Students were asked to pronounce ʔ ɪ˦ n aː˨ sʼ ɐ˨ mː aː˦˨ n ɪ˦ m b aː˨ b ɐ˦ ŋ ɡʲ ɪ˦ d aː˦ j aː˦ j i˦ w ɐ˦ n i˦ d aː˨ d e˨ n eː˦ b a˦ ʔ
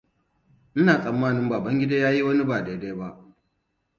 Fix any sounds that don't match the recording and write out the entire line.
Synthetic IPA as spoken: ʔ ɪ˦ n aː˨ sʼ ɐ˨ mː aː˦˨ n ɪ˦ m b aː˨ b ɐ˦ ŋ ɡʲ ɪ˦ d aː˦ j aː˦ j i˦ w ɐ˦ n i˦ b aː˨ d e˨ d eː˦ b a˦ ʔ